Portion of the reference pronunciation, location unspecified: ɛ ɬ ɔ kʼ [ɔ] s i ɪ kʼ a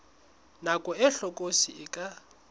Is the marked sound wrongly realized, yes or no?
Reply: yes